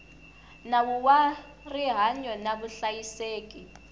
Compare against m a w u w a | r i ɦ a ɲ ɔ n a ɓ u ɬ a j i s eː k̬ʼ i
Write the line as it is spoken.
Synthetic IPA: n a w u w a | r i ɦ a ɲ ɔ n a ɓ u ɬ a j i s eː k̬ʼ i